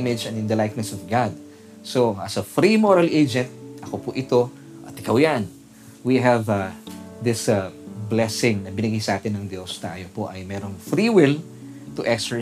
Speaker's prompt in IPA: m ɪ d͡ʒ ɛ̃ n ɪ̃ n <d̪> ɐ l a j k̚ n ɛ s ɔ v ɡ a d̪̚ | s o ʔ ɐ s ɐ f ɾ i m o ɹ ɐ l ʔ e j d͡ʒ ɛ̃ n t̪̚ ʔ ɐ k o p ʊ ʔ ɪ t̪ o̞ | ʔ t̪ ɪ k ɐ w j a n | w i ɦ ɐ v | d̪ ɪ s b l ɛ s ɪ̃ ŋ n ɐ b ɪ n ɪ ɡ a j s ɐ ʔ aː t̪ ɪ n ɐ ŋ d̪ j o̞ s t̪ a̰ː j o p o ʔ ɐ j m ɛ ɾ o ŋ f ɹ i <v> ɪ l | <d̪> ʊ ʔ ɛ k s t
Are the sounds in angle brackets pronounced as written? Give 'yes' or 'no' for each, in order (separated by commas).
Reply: yes, no, no